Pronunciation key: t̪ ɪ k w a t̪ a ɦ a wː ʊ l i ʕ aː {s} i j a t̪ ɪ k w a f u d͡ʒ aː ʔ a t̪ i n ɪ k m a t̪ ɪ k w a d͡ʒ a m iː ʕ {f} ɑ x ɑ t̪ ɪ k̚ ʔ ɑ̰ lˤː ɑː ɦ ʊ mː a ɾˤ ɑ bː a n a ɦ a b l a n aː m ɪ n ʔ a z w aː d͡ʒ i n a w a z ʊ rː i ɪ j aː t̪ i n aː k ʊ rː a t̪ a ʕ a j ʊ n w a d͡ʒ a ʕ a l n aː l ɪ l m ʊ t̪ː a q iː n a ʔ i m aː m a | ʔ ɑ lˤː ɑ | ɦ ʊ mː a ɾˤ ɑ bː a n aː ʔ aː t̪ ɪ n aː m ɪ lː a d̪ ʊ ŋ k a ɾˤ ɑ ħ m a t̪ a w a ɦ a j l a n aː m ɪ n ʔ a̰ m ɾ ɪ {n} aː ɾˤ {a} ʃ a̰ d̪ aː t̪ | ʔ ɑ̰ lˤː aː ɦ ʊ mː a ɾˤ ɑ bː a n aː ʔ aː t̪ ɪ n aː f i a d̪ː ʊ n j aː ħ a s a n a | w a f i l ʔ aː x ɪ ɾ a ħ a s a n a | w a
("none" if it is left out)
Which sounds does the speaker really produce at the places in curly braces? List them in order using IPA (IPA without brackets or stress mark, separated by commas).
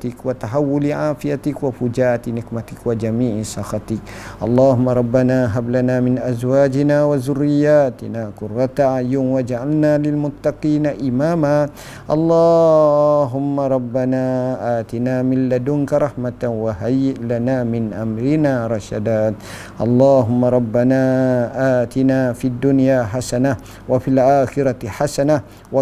f, s, n, ɑ